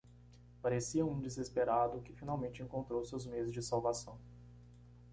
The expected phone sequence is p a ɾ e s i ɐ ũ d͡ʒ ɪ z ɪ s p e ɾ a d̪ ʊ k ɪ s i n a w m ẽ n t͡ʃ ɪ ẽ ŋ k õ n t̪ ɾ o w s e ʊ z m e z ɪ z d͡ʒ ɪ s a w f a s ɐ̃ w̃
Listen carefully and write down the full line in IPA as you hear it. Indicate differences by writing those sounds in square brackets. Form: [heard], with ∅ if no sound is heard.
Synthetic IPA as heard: p a ɾ e s i ɐ ũ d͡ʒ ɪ z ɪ s p e ɾ a d̪ ʊ k ɪ [f] i n a w m ẽ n t͡ʃ ɪ ẽ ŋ k õ n t̪ ɾ o w s e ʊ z m e z ɪ z d͡ʒ ɪ s a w [v] a s ɐ̃ w̃